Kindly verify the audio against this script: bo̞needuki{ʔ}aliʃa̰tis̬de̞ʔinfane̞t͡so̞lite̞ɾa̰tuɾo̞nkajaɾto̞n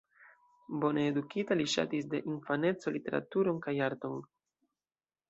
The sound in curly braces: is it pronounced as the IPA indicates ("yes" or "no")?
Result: no